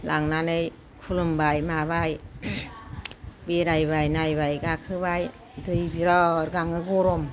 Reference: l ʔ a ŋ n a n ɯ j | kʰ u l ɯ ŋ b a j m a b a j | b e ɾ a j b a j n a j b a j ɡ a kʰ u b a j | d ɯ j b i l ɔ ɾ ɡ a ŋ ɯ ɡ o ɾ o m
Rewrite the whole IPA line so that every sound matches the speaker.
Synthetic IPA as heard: l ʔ a ŋ n a n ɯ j | kʰ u l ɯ m b a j m a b a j | b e ɾ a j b a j n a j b a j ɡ a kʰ ɯ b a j | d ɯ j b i ɾ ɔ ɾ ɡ a ŋ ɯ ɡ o ɾ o m